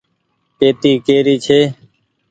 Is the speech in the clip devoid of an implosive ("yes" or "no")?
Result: yes